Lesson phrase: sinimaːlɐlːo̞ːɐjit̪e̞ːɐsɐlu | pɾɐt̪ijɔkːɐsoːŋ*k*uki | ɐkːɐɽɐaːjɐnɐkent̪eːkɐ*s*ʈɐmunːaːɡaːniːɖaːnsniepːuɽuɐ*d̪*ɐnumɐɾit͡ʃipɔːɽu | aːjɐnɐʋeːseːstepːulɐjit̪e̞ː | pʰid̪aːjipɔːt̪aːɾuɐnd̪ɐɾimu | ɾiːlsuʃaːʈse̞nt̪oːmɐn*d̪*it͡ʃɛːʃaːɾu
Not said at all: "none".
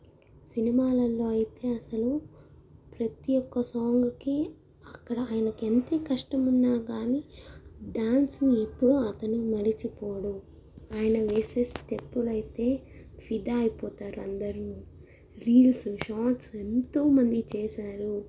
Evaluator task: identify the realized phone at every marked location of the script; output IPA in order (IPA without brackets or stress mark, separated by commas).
ɡ, ʂ, t̪, d̪